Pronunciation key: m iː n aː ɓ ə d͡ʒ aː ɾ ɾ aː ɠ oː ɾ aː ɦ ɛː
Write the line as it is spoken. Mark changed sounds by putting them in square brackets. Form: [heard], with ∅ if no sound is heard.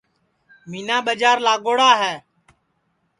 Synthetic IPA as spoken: m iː n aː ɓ ə d͡ʒ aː ɾ [l] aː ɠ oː [ɽ] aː ɦ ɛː